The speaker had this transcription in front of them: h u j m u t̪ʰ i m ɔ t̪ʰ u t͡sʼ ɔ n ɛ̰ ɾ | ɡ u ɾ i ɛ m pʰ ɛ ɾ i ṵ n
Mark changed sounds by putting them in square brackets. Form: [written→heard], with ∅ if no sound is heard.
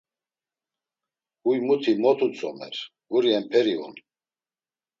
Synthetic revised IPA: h u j m u t̪ʰ i m ɔ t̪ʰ u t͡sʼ ɔ [n→m] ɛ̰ ɾ | ɡ u ɾ i ɛ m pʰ ɛ ɾ i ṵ n